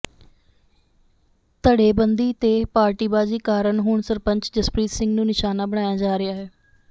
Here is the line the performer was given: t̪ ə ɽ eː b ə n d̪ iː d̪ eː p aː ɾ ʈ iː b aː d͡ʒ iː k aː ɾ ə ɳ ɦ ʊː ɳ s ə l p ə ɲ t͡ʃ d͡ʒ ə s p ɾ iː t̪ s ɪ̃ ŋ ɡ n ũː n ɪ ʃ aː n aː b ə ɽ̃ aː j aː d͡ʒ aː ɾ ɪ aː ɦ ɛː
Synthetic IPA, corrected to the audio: t̪ ə ɽ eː b ə n d̪ iː t̪ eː p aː ɾ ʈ iː b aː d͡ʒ iː k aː ɾ ə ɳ ɦ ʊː ɳ s ə ɾ p ə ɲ t͡ʃ d͡ʒ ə s p ɾ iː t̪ s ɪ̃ ŋ ɡ n ũː n ɪ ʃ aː n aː b ə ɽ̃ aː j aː d͡ʒ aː ɾ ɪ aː ɦ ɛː